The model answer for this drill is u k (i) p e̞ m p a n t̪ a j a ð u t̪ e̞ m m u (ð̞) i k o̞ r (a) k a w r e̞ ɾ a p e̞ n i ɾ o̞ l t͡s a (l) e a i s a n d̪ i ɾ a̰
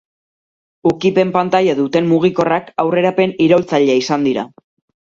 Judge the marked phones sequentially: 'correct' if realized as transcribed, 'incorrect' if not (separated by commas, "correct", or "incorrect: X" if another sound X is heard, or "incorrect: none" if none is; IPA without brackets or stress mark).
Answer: correct, incorrect: ɣ̞, correct, incorrect: ʎ